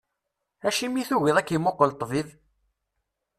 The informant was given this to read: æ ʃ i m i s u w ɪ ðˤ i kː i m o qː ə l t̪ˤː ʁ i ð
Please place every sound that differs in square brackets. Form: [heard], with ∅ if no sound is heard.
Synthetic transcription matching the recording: æ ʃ i m i [θ] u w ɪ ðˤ [æ] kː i m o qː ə l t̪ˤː [v] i ð